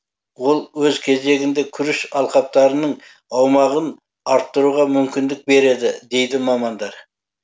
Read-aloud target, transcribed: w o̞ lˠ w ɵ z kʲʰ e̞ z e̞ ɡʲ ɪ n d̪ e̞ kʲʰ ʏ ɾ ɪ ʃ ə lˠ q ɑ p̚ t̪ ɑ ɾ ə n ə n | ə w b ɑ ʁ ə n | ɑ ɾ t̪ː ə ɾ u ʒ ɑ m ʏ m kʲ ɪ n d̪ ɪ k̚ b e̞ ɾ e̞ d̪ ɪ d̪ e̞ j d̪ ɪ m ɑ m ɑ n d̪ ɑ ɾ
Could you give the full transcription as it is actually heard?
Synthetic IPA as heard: w o̞ lˠ w ɵ z kʲʰ e̞ z e̞ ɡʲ ɪ n d̪ e̞ kʲʰ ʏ ɾ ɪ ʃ ɑ lˠ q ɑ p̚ t̪ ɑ ɾ ə n ə ɴ | ɑ w m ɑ ʁ ə n | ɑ ɾ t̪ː ə ɾ u ʁ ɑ m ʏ m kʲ ɪ n d̪ ɪ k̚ b e̞ ɾ e̞ d̪ ɪ d̪ e̞ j d̪ ɪ m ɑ m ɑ n d̪ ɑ ɾ